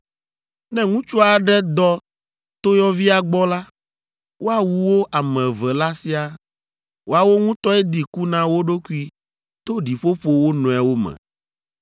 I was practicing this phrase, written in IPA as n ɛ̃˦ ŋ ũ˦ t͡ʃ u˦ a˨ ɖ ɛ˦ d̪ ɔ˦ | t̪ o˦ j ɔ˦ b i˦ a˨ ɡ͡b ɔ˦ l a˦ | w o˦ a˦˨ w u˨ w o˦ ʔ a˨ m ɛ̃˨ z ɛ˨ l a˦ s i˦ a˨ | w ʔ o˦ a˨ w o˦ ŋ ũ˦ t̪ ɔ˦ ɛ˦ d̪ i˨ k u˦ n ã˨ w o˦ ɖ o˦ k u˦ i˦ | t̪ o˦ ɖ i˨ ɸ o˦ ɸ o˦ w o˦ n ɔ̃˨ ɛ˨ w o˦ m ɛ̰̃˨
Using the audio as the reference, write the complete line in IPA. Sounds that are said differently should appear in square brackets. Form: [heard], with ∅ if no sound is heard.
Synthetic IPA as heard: n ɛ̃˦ ŋ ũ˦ t͡ʃ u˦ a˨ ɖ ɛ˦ d̪ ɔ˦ | t̪ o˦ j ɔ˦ [v] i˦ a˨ ɡ͡b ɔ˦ l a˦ | w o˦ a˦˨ w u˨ w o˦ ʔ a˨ m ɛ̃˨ [v] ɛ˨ l a˦ s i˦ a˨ | w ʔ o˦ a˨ w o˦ ŋ ũ˦ t̪ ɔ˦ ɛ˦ d̪ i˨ k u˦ n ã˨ w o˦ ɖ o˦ k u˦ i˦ | t̪ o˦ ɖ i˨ ɸ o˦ ɸ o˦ w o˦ n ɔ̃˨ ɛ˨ w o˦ m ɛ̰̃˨